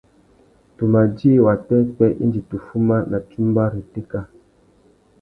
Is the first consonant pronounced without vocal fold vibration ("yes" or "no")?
yes